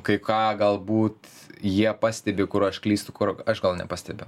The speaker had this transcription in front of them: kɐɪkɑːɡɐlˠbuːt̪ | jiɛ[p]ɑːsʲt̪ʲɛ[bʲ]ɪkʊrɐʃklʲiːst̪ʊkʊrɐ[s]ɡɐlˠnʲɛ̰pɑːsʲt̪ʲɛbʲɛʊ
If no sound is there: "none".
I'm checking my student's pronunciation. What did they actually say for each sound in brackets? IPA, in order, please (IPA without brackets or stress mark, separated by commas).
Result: p, bʲ, ʃ